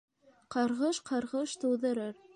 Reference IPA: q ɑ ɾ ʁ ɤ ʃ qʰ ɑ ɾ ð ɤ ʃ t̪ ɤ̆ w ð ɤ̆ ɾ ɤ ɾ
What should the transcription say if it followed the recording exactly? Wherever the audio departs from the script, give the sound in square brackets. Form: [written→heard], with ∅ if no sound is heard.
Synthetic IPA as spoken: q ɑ ɾ ʁ ɤ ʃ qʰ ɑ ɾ [ð→ʁ] ɤ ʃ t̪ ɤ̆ w ð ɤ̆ ɾ ɤ ɾ